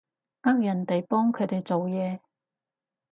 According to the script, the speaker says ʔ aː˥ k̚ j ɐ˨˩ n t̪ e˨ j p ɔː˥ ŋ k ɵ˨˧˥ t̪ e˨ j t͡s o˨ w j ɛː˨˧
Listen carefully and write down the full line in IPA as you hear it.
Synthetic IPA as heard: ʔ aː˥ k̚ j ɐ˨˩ n t̪ e˨ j p ɔː˥ ŋ kʰ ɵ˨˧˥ t̪ e˨ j t͡s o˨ w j ɛː˨˧